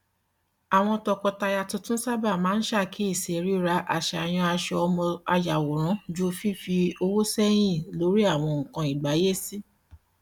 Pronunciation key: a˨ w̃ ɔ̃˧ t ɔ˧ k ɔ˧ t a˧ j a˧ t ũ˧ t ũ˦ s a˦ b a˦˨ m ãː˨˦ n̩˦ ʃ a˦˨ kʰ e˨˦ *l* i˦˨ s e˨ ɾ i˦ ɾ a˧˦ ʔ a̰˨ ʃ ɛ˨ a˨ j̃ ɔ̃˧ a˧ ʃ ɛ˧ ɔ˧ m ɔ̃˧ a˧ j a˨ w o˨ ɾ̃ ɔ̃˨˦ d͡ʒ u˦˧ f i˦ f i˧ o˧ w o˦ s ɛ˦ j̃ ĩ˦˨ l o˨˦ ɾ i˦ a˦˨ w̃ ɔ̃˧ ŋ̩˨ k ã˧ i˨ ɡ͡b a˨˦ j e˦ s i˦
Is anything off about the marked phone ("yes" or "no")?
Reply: yes